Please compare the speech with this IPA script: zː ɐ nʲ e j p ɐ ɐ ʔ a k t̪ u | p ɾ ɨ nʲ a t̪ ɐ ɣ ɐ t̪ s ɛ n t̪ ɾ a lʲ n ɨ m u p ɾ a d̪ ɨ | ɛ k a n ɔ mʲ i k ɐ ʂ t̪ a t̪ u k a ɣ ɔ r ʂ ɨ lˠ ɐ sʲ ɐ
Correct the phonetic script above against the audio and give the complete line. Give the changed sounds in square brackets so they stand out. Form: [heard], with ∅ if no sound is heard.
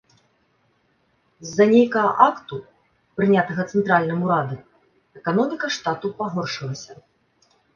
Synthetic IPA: zː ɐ nʲ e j [k] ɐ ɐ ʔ a k t̪ u | p ɾ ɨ nʲ a t̪ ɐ ɣ ɐ t̪ s ɛ n t̪ ɾ a lʲ n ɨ m u [∅] ɾ a d̪ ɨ | ɛ k a n ɔ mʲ i k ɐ ʂ t̪ a t̪ u [p] a ɣ ɔ r ʂ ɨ lˠ ɐ sʲ ɐ